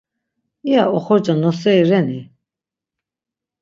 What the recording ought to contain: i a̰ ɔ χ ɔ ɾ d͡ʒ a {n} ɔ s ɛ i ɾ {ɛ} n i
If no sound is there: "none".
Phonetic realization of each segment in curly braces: n, ɛ

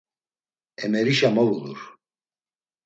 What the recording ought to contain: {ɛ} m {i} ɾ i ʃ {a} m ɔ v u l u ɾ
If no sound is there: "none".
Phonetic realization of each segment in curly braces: ɛ, ɛ, a

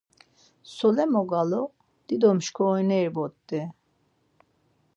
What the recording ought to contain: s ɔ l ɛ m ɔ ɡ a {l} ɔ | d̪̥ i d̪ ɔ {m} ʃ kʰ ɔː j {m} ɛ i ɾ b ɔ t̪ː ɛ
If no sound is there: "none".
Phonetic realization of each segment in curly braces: l, m, n

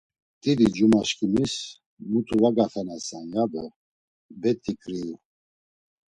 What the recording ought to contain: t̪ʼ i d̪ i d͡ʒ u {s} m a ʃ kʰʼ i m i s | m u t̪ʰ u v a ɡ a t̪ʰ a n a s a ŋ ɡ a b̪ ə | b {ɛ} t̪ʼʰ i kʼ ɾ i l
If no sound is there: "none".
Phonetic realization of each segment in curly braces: none, ɛ

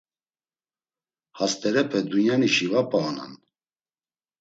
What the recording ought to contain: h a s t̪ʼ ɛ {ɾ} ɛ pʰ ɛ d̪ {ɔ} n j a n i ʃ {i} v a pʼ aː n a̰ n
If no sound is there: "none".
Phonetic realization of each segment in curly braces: ɾ, u, i

